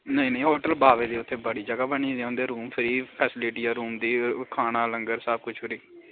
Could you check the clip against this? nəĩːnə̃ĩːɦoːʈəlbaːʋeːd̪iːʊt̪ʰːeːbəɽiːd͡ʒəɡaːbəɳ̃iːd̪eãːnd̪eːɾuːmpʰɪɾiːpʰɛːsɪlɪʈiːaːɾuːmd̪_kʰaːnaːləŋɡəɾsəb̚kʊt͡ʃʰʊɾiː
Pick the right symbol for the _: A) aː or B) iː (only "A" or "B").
B